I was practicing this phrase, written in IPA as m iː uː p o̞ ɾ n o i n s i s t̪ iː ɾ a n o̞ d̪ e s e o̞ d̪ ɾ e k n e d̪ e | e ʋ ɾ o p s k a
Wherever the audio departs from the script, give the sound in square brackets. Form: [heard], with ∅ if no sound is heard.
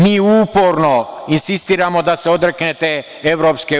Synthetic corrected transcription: m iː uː p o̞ ɾ n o i n s i s t̪ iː ɾ a [m] o̞ d̪ [a] s e o̞ d̪ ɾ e k n e [t̪] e | e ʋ ɾ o p s k [e]